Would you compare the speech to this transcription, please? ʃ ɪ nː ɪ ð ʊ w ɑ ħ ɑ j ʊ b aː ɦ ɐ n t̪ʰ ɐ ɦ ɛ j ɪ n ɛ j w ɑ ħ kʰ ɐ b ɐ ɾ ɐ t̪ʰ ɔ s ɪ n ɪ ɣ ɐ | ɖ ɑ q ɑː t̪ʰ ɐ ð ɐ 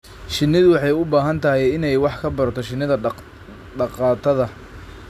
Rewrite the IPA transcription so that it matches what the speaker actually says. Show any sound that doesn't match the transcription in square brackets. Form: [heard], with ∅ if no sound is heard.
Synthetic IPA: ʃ ɪ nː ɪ ð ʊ w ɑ ħ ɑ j ʊ b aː ɦ ɐ n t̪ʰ ɐ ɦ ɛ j ɪ n ɛ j w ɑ ħ kʰ ɐ b ɐ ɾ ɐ t̪ʰ ɔ [ʃ] ɪ n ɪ [ð] ɐ | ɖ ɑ q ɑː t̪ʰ ɐ ð ɐ

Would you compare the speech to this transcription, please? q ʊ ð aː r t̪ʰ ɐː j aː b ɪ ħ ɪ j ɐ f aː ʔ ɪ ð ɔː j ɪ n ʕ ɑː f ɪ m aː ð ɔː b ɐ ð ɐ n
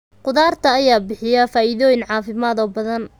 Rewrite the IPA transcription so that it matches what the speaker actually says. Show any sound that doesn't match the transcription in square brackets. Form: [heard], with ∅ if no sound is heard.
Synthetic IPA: q ʊ ð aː r t̪ʰ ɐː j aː b ɪ ħ ɪ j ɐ f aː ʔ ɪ ð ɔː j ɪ n ʕ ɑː f ɪ m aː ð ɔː b ɐ ð ɐ n

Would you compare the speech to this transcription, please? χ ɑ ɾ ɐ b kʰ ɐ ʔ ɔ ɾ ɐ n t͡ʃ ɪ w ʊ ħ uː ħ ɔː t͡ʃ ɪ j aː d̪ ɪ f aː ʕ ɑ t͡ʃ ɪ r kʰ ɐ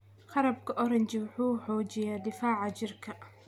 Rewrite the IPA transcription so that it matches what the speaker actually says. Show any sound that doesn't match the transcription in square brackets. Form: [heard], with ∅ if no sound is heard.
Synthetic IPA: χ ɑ ɾ ɐ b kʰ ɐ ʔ ɔ ɾ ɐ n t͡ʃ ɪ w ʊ ħ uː ħ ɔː t͡ʃ ɪ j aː d̪ ɪ f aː ʕ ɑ t͡ʃ ɪ r kʰ ɐ

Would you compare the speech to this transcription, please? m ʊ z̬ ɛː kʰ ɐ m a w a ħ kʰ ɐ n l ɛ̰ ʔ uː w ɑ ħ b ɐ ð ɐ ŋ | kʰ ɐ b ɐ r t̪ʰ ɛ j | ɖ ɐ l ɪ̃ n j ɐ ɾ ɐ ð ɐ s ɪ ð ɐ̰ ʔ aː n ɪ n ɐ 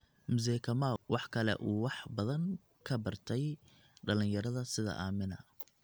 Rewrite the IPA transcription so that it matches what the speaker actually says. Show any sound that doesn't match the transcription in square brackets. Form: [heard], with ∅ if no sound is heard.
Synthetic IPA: m ʊ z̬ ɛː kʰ ɐ m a w [ɑ] ħ kʰ ɐ [∅] l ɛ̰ ʔ uː w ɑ ħ b ɐ ð ɐ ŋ | kʰ ɐ b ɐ r t̪ʰ ɛ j | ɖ ɐ l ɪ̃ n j ɐ ɾ ɐ ð ɐ s ɪ ð ɐ̰ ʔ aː [m] ɪ n ɐ

